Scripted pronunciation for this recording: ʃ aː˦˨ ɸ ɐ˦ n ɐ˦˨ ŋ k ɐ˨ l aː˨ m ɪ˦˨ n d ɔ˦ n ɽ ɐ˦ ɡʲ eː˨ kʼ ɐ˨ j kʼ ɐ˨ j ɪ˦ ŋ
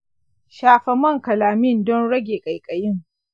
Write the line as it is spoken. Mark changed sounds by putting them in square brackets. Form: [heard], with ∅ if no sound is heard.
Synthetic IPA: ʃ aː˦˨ ɸ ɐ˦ [m] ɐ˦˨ ŋ k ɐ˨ l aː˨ m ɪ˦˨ n d ɔ˦ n ɽ ɐ˦ ɡʲ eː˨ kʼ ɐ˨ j kʼ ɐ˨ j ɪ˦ ŋ